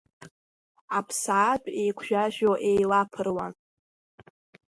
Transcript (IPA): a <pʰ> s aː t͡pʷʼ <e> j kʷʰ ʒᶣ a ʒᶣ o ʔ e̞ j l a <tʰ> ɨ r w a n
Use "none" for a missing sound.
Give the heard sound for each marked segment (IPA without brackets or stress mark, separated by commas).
pʰ, e, pʰ